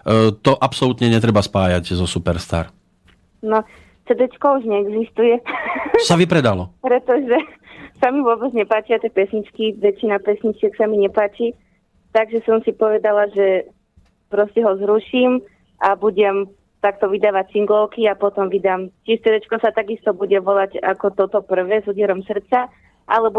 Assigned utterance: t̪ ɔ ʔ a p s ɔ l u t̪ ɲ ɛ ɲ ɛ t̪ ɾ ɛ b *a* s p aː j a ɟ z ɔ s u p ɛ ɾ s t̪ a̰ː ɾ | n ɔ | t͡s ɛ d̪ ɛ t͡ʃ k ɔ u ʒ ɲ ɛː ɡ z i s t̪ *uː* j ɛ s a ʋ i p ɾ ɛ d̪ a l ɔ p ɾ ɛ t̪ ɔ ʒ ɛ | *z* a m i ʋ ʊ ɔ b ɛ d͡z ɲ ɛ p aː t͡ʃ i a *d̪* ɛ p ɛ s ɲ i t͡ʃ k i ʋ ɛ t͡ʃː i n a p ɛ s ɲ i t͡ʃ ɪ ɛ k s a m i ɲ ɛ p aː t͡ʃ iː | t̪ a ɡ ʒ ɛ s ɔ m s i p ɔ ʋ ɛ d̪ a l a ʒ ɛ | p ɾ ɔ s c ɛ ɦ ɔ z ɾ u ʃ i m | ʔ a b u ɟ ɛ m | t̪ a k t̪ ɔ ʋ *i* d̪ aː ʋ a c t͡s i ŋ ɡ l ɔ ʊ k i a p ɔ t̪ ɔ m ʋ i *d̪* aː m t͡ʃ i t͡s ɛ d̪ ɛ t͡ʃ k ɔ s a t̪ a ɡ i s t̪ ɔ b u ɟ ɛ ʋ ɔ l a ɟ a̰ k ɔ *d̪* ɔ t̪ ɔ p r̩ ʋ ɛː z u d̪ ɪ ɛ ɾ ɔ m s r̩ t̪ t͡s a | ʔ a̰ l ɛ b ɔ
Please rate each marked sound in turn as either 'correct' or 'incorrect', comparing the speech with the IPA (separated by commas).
correct, incorrect, incorrect, incorrect, correct, correct, incorrect